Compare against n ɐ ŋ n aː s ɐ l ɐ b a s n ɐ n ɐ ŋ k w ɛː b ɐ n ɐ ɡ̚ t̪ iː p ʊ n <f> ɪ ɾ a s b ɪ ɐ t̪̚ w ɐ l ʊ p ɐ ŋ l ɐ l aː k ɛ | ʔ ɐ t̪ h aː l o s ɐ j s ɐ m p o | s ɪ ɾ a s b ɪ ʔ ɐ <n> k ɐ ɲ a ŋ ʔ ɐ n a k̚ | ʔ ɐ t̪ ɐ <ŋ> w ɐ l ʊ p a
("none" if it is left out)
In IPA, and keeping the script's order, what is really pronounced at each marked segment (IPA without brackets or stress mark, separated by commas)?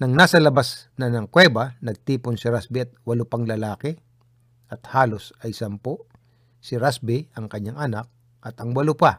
s, ŋ, ŋ